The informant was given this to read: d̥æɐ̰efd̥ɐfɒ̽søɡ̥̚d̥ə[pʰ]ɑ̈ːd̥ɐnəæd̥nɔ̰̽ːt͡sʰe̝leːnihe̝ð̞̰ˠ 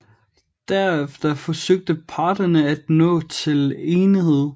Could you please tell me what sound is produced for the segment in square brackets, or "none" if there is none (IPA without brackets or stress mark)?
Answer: pʰ